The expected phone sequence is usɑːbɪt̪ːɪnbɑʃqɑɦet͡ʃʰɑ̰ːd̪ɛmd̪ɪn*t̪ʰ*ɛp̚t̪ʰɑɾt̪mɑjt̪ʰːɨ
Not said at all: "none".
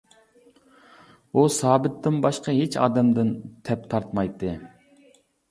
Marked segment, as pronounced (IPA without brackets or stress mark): t̪ʰ